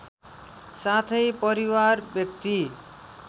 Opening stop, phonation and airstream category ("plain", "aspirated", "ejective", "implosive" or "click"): aspirated